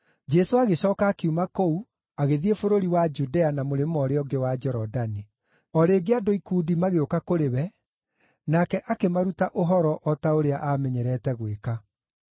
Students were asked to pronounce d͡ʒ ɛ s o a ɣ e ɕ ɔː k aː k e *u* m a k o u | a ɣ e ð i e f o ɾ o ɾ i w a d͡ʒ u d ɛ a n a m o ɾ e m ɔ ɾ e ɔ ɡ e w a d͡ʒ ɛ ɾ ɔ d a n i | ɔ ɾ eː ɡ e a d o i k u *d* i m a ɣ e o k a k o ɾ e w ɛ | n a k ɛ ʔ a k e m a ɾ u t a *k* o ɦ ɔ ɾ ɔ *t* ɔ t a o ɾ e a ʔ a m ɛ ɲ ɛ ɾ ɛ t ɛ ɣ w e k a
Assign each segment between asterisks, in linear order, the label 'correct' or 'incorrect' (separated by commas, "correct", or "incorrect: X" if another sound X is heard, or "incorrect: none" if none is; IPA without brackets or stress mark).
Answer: correct, correct, incorrect: ʔ, incorrect: ʔ